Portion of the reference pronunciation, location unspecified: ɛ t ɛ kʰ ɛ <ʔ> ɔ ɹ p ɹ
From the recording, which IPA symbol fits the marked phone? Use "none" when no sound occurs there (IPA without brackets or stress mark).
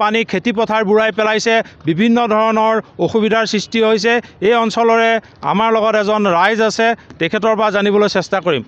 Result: t